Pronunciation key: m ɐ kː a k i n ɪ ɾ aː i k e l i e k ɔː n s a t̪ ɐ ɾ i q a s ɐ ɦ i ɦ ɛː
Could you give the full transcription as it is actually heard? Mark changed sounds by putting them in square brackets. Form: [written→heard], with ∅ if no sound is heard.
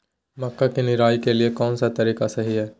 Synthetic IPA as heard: m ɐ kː a k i n ɪ ɾ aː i k e l i e k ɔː n s a t̪ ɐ ɾ [i→iː] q a s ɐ ɦ i ɦ ɛː